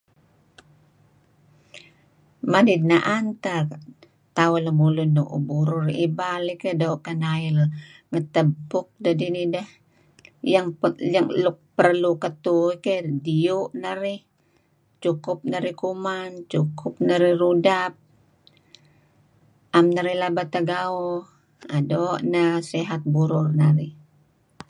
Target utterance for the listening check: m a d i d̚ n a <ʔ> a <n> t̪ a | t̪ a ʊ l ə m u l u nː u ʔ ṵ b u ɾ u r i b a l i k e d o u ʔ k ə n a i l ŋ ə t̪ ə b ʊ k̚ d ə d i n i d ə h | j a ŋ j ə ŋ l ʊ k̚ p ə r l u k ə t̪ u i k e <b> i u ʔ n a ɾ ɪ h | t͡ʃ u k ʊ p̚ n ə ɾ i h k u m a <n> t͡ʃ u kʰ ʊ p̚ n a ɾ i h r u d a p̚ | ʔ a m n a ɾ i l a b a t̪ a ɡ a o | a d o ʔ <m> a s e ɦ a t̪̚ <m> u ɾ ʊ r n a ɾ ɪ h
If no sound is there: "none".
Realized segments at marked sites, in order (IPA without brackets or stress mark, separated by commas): ʔ, n, d, n, n, b